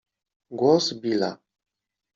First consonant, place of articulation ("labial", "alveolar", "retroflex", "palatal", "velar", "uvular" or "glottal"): velar